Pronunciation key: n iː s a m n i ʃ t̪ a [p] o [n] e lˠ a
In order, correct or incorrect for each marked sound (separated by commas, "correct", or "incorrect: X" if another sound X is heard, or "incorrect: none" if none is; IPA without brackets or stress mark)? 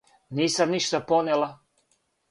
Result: correct, correct